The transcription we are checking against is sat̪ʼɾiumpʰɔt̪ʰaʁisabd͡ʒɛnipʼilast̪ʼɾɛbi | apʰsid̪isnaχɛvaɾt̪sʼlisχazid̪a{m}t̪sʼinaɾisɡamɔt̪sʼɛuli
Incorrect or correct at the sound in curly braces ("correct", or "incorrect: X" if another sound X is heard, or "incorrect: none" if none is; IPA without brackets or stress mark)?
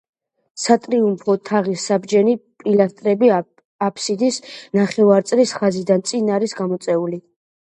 incorrect: n